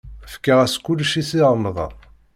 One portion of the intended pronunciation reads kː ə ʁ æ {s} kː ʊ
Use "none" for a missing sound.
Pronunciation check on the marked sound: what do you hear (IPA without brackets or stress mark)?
s